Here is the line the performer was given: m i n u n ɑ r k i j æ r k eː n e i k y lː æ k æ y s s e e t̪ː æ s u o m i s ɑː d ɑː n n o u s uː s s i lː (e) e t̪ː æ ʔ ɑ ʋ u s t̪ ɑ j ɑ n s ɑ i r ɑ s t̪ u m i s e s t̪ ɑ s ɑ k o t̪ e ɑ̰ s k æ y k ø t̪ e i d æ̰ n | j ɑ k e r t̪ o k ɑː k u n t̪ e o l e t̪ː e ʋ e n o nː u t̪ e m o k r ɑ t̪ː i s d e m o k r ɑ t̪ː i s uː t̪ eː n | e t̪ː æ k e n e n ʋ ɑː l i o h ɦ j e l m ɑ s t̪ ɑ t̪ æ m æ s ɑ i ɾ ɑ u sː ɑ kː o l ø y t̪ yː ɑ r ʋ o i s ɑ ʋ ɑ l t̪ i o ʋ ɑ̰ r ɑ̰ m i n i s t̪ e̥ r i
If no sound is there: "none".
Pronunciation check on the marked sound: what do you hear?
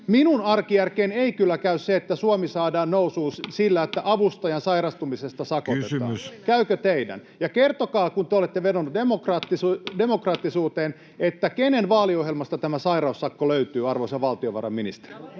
æ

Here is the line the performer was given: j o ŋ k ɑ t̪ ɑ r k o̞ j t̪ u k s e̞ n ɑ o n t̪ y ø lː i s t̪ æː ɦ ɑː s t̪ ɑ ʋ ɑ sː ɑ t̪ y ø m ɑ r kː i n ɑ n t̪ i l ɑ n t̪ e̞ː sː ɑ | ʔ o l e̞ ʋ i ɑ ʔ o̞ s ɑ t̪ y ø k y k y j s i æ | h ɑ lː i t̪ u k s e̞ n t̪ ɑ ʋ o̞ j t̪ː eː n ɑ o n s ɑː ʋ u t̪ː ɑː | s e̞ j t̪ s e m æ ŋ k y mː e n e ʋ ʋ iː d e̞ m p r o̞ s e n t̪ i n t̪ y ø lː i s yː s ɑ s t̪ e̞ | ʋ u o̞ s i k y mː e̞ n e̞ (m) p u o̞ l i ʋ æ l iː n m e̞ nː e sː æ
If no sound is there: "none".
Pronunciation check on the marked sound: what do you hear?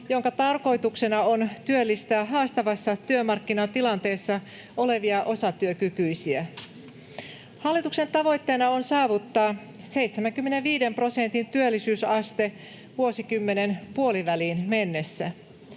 n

